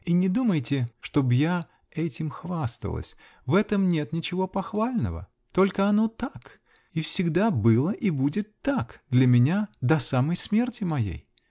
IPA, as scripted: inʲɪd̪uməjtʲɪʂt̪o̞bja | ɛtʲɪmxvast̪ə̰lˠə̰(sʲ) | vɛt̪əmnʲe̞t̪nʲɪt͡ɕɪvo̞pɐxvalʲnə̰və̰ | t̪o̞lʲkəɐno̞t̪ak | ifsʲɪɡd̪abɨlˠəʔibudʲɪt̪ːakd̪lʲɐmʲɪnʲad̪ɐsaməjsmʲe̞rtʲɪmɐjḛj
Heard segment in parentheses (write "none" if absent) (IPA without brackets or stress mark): sʲ